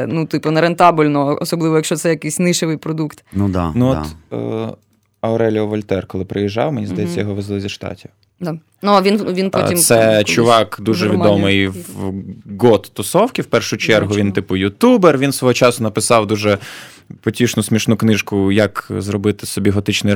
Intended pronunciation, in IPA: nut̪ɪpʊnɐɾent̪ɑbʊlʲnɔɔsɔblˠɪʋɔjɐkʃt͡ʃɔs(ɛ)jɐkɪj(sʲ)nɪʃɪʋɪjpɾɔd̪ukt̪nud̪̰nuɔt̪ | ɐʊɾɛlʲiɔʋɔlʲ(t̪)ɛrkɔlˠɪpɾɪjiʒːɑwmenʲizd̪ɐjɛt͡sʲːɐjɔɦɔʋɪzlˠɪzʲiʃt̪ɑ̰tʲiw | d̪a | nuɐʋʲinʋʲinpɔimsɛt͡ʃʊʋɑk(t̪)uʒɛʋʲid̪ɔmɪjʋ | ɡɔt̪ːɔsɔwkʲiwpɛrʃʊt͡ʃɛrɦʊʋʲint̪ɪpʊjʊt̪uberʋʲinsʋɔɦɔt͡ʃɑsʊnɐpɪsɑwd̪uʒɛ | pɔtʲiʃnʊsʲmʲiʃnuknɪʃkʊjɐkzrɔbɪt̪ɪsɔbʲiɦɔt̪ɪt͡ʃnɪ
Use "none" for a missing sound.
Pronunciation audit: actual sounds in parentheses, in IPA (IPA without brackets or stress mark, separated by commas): ɛ, sʲ, t̪, d̪